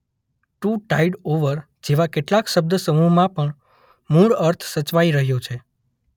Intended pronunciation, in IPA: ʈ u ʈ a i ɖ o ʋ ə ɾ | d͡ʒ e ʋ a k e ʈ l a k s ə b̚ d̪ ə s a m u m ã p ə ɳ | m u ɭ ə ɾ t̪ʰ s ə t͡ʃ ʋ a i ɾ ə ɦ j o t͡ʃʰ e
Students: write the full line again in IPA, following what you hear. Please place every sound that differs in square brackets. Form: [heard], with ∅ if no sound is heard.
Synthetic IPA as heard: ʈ u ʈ a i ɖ o ʋ ə ɾ | d͡ʒ e ʋ a k e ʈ l a k [ʃ] ə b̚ d̪ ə s [ə] m u m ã p ə ɳ | m u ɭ ə ɾ t̪ʰ s ə t͡ʃ ʋ a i ɾ ə ɦ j o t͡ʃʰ e